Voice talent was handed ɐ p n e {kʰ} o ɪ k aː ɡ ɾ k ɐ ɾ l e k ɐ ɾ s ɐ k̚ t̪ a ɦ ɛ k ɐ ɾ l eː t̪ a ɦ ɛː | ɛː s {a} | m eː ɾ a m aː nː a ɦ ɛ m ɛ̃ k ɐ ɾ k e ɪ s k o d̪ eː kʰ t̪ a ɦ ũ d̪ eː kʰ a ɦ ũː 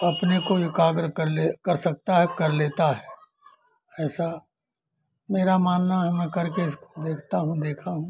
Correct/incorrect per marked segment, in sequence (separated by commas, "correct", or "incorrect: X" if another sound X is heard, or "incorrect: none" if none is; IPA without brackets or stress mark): incorrect: k, correct